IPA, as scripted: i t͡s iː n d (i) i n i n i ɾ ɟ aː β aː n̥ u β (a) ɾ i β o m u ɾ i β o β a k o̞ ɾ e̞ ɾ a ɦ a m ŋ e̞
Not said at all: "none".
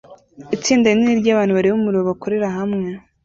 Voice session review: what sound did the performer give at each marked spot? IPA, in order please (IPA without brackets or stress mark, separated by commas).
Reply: a, a